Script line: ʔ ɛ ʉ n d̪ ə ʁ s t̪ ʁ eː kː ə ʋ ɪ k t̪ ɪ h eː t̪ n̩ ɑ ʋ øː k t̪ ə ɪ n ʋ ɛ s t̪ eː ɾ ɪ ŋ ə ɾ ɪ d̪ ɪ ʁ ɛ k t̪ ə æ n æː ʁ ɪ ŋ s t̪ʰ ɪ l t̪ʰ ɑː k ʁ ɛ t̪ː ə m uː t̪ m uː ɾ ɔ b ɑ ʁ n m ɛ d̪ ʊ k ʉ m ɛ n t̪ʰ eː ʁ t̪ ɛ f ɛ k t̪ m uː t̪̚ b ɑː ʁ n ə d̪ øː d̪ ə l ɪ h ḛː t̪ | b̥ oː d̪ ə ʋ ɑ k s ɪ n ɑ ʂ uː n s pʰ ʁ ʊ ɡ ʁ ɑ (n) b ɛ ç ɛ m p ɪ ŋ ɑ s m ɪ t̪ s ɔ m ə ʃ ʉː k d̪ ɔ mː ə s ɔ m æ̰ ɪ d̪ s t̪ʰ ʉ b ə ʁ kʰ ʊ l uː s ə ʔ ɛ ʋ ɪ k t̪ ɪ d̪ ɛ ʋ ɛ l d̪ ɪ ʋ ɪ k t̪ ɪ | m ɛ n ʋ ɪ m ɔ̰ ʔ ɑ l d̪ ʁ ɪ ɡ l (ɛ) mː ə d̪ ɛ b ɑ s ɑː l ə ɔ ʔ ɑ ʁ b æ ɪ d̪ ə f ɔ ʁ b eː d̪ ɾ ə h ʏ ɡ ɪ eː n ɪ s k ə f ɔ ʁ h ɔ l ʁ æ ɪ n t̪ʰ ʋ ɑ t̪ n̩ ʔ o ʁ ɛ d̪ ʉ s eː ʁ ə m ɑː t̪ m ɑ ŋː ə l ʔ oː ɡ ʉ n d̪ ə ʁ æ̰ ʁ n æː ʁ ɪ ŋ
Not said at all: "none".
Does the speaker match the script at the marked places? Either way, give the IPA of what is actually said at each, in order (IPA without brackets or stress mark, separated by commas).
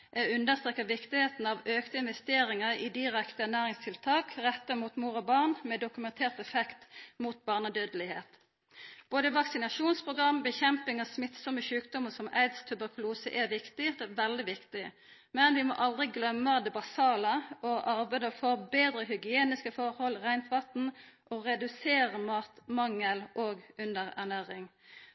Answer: m, œ